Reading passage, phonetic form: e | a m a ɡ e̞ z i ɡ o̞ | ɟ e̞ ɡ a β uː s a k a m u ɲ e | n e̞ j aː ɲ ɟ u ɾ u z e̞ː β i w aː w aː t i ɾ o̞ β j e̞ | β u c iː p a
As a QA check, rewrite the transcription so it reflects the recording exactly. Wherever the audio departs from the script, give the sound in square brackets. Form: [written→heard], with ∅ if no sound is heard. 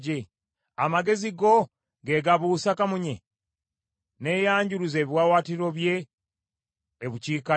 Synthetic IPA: e | a m a ɡ e̞ z i ɡ o̞ | [ɟ→ɡ] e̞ ɡ a β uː s a k a m u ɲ e | n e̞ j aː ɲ ɟ u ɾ u z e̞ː β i w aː w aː t i ɾ o̞ β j e̞ | β u c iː [p→k] a